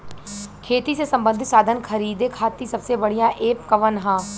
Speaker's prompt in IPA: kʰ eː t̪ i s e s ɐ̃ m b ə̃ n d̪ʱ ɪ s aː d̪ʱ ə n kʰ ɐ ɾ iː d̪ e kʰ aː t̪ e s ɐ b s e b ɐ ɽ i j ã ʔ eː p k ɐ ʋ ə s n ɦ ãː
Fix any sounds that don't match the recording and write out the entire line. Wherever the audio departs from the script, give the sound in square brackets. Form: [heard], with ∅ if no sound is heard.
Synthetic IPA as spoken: kʰ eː t̪ i s e s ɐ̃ m b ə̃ n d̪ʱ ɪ s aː d̪ʱ ə n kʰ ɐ ɾ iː d̪ e kʰ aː t̪ [i] s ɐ b s e b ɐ ɽ i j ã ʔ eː p k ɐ ʋ ə [∅] n ɦ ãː